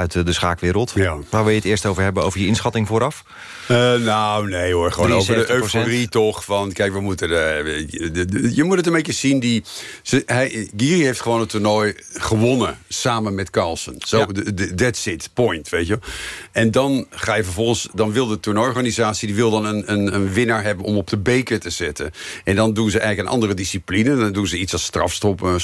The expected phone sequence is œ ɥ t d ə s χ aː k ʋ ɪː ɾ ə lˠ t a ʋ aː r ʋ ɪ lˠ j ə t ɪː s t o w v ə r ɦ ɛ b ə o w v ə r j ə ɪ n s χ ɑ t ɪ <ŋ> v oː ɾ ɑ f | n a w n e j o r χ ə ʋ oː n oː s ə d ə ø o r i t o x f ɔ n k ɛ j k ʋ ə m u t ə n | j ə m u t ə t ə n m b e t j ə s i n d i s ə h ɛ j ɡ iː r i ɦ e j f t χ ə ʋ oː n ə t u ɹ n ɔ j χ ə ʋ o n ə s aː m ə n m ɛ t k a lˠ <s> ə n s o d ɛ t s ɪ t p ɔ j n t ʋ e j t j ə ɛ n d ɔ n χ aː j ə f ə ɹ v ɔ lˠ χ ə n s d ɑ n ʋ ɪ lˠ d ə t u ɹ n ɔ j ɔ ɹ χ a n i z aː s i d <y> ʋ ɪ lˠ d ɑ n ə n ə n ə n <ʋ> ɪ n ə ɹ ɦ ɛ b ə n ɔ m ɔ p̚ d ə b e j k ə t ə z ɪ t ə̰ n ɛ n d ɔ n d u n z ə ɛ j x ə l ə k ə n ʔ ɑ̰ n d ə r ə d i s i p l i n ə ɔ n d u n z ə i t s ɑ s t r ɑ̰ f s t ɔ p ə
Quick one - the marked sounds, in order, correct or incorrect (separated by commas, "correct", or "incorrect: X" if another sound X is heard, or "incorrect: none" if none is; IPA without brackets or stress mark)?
correct, correct, incorrect: i, correct